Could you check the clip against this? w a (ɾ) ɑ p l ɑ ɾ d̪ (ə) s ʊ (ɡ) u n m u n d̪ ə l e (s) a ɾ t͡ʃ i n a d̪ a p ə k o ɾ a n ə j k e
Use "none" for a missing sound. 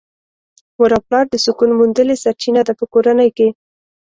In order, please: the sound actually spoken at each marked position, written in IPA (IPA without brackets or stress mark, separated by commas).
ɾ, ə, k, s